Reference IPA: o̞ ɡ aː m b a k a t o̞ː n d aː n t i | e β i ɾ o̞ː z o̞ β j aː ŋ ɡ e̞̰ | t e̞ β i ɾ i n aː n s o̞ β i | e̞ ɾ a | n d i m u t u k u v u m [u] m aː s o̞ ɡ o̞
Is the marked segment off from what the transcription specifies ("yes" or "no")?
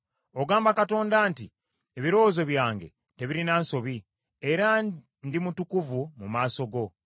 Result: no